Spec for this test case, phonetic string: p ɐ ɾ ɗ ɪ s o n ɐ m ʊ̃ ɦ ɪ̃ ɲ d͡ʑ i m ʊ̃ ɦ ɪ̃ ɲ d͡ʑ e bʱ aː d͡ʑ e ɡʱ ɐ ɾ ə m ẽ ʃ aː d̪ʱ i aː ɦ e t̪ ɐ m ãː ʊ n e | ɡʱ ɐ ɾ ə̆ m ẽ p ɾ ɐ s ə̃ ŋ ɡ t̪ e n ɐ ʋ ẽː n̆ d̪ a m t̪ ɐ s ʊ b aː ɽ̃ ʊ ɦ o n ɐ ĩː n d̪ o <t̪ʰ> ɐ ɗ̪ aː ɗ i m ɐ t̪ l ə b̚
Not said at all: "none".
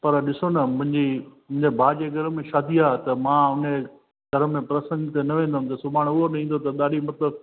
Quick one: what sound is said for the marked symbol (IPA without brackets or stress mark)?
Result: t̪